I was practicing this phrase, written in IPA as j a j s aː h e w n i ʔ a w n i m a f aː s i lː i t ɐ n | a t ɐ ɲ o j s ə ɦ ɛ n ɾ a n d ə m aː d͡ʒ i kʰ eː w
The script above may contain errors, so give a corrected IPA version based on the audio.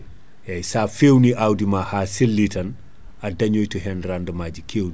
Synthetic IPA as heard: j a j s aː f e w n i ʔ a w d i m a h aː s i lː i t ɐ n | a d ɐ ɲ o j t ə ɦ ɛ n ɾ a n d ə m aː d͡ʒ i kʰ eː w